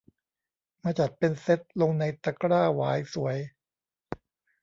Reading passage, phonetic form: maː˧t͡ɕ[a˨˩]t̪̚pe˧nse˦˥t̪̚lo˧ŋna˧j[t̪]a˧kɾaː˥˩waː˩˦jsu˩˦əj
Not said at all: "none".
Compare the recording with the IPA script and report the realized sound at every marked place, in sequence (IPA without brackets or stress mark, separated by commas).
a˨˩, t̪